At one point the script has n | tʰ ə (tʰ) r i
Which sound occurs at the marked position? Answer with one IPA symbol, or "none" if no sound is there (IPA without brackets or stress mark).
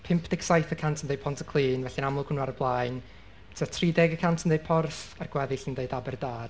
tʰ